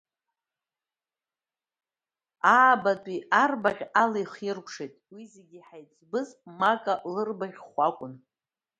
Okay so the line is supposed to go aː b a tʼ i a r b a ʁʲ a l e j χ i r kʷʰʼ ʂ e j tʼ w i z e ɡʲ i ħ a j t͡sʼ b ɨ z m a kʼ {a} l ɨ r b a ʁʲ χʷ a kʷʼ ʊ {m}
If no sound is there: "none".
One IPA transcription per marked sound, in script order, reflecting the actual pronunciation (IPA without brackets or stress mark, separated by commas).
a, n